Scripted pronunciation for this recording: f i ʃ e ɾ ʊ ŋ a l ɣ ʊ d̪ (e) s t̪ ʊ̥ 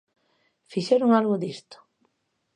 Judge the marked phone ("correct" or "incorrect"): incorrect